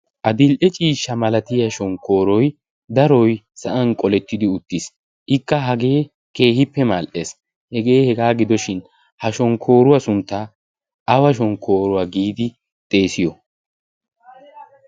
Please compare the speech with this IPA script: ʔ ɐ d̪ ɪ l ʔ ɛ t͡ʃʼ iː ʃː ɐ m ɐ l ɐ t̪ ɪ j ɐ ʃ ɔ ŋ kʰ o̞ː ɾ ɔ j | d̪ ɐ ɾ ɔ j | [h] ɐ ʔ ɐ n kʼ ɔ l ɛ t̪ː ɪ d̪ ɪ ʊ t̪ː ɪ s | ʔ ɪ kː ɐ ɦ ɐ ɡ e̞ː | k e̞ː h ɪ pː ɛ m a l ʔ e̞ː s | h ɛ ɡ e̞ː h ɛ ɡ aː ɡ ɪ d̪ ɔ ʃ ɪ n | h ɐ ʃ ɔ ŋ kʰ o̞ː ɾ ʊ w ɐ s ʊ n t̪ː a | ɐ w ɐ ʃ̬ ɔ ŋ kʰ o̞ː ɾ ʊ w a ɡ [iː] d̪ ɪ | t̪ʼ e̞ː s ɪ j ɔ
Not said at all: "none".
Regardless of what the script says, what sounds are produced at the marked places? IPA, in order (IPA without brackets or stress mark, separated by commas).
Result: s, iː